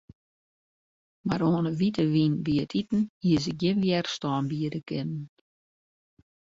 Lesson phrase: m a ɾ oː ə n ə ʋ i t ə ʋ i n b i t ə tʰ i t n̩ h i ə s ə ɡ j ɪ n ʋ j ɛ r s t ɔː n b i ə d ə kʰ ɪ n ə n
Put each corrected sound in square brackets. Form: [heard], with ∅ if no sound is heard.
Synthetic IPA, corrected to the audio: m a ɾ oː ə n ə ʋ i t ə ʋ i n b i [∅] ə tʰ i t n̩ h i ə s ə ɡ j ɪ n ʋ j ɛ r s t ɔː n b i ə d ə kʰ ɪ n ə n

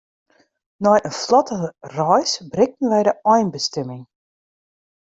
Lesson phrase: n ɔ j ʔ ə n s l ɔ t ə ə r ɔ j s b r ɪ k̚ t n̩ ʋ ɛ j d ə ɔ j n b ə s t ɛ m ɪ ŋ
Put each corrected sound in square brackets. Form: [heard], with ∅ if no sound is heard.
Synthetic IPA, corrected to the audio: n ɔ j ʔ ə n [f] l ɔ t ə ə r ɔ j s b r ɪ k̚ t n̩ ʋ ɛ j d ə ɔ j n b ə s t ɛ m ɪ ŋ

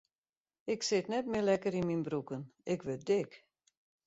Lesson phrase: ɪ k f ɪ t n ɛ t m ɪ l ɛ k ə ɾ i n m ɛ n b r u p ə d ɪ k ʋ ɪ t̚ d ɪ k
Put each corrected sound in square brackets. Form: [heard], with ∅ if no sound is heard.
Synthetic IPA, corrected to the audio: ɪ k [s] ɪ t n ɛ t m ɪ l ɛ k ə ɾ i n m [i] n b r u [k] ə [n] ɪ k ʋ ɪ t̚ d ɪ k

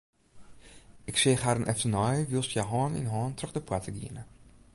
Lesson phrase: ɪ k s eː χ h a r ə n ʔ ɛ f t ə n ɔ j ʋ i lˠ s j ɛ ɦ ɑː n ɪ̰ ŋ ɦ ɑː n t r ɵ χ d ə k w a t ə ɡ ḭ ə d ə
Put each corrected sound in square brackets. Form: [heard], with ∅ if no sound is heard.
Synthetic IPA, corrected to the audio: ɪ k s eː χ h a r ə n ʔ ɛ f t ə n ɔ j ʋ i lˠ s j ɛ ɦ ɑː n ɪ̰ [n] ɦ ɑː n t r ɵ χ d ə [p] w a t ə ɡ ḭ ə [n] ə

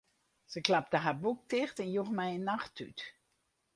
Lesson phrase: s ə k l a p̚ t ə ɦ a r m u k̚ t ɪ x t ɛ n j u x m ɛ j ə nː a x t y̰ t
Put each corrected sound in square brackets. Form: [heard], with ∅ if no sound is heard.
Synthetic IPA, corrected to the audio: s ə k l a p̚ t ə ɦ a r [b] u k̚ t ɪ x t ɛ n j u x m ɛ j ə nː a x t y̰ t

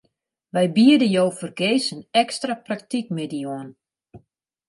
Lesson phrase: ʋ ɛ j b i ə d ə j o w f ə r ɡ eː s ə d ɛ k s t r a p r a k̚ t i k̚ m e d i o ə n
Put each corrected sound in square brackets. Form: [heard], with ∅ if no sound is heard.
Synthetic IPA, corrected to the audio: ʋ ɛ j b i ə d ə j o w f ə r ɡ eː s ə [n] ɛ k s t r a p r a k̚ t i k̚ m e d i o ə n

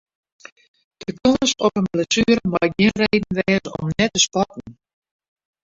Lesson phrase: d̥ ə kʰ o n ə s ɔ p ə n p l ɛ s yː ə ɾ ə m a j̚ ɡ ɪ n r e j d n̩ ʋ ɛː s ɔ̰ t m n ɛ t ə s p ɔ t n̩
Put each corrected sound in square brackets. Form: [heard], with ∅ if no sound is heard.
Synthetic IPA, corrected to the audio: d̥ ə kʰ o n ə s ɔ p ə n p l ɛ s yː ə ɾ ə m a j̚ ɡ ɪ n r e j d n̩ ʋ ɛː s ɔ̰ [∅] m n ɛ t ə s p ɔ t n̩

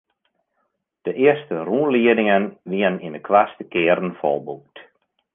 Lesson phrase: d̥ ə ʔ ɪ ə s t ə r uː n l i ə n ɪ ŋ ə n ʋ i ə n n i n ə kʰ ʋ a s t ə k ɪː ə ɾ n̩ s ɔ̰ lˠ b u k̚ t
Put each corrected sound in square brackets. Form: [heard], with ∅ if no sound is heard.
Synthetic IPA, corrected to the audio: d̥ ə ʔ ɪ ə s t ə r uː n l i ə [d] ɪ ŋ ə n ʋ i ə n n i n ə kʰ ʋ a s t ə k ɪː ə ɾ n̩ [f] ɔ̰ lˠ b u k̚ t

